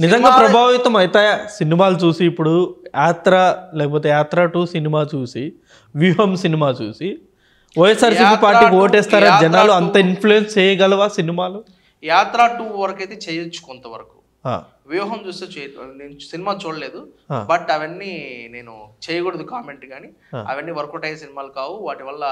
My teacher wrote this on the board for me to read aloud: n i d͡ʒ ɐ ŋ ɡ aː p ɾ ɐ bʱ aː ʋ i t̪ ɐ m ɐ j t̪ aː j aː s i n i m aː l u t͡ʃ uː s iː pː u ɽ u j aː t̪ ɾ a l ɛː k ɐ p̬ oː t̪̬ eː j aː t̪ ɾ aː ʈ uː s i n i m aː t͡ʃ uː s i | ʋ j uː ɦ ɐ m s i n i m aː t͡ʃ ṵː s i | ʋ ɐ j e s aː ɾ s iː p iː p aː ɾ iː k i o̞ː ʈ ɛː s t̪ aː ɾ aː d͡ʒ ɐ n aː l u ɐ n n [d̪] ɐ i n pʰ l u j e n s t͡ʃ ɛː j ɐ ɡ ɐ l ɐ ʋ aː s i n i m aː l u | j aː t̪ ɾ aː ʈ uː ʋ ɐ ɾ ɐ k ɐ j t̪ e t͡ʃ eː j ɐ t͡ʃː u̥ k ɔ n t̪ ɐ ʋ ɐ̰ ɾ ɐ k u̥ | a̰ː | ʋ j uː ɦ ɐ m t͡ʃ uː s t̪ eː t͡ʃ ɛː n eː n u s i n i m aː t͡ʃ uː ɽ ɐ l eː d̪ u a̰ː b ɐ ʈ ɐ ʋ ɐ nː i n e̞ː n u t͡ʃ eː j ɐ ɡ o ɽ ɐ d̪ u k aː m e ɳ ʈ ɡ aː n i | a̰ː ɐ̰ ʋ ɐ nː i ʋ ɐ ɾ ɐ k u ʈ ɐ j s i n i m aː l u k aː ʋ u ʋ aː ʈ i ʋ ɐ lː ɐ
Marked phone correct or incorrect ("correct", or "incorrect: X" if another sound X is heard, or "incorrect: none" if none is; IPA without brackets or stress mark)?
incorrect: t̪